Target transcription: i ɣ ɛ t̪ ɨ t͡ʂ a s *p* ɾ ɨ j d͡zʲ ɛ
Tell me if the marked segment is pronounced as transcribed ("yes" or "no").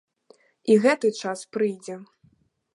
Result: yes